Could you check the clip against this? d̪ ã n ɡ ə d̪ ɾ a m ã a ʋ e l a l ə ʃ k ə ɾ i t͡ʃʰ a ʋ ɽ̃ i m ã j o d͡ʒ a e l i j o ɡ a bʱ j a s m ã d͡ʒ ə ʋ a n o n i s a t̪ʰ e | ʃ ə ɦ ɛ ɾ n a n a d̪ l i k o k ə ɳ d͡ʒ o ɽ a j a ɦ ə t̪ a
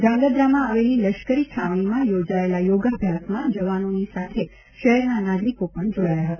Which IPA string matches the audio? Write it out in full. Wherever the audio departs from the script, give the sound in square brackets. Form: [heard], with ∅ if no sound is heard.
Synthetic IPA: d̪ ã [ŋ] ɡ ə d̪ ɾ a m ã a ʋ e l [i] l ə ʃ k ə ɾ i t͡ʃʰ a ʋ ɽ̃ i m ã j o d͡ʒ a e l [a] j o ɡ a bʱ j a s m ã d͡ʒ ə ʋ a n o n i s a t̪ʰ e | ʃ ə ɦ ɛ ɾ n a n a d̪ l i k o [p] ə ɳ d͡ʒ o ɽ a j a ɦ ə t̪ a